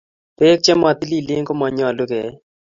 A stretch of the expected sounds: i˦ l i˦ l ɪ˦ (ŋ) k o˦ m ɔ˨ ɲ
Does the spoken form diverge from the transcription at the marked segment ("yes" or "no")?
no